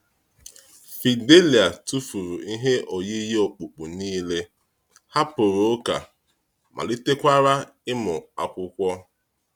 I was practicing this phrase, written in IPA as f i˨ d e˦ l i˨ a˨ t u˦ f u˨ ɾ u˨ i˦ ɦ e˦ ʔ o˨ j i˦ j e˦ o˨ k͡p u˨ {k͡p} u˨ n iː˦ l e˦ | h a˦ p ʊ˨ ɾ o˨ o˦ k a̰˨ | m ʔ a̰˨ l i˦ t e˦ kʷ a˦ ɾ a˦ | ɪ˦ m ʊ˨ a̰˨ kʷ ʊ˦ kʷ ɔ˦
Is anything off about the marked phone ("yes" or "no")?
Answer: no